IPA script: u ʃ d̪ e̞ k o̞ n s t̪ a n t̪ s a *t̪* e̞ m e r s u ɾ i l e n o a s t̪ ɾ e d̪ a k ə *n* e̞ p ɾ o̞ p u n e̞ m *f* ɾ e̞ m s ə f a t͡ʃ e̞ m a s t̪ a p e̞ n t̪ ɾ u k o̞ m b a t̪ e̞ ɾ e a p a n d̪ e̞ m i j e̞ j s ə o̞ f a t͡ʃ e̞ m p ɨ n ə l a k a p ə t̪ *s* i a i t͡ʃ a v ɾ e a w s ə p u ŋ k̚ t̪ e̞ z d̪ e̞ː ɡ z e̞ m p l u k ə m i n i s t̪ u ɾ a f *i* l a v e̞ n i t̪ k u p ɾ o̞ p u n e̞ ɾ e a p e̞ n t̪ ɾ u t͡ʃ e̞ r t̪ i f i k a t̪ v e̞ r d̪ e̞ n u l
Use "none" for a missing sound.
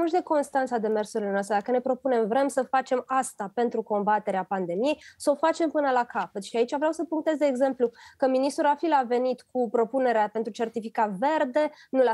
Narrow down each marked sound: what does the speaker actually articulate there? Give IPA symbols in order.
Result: d̪, n, v, ʃ, i

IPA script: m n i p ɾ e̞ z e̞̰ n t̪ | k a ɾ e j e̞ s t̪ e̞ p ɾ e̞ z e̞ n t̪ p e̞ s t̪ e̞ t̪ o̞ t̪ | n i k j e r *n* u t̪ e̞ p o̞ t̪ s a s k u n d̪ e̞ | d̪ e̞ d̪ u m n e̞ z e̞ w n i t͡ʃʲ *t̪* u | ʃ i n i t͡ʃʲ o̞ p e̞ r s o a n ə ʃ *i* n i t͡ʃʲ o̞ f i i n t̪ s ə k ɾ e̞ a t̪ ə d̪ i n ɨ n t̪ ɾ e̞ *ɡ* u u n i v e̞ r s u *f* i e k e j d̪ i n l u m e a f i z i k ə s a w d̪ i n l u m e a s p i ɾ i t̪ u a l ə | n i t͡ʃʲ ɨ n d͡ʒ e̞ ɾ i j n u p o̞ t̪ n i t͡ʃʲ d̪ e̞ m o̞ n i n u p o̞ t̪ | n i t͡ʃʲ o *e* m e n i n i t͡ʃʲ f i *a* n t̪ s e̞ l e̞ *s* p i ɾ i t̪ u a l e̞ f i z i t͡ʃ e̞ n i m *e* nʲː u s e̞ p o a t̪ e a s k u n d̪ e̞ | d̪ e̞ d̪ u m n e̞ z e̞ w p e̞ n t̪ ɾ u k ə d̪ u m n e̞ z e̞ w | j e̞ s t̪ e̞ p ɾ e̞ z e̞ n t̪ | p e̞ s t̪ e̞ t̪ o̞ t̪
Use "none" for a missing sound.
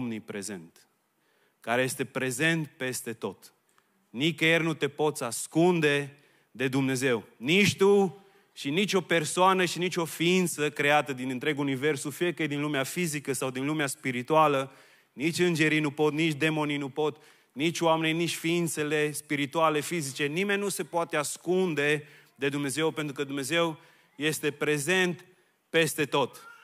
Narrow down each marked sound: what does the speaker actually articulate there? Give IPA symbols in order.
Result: n, t̪, i, ɡ, f, a, i, s, e

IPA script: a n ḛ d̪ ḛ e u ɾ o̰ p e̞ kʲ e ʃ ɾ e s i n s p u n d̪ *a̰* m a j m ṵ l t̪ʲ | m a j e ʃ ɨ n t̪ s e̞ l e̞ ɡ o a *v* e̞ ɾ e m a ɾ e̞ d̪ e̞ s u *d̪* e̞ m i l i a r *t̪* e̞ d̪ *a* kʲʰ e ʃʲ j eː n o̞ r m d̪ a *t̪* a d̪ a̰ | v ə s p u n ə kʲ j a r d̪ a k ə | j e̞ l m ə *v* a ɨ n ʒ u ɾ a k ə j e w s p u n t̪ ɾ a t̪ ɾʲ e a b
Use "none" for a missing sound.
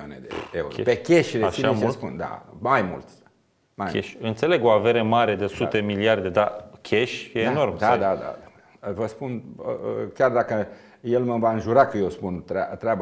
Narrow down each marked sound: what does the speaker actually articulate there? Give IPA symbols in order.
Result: a̰, v, t̪, d̪, a, d̪, v

